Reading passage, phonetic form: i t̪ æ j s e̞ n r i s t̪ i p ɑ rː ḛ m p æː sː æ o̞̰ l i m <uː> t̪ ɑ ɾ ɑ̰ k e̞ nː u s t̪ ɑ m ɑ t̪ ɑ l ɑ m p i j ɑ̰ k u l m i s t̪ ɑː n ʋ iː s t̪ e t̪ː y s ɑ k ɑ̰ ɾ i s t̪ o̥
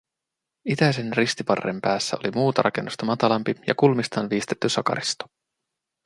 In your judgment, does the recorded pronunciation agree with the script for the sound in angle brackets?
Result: yes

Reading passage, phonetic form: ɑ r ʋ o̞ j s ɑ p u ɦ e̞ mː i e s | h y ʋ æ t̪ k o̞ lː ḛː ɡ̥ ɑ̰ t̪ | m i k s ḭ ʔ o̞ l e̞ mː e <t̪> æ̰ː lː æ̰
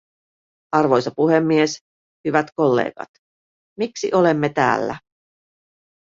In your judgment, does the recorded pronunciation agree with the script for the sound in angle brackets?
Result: yes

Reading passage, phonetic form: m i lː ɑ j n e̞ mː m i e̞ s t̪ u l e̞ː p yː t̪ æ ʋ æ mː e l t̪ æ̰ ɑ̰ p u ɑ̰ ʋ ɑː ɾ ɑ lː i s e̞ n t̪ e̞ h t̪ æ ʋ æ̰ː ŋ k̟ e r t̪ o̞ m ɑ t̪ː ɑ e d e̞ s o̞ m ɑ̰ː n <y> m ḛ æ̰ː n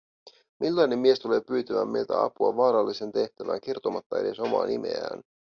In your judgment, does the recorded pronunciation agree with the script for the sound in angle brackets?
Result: no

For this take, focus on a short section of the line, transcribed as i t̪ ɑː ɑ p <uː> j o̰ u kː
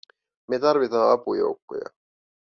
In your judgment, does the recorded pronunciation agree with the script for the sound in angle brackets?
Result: no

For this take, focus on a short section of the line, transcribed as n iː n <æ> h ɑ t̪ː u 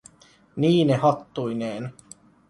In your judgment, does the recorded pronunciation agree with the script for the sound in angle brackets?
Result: no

